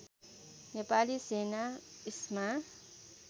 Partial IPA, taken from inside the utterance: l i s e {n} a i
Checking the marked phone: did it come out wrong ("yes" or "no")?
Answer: no